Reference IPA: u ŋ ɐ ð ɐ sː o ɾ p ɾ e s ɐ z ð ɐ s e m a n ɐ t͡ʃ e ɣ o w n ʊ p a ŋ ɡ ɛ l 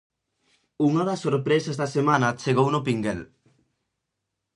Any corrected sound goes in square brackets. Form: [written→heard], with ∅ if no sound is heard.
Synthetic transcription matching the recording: u ŋ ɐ ð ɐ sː o ɾ p ɾ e s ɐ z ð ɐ s e m a n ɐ t͡ʃ e ɣ o w n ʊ p [a→i] ŋ ɡ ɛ l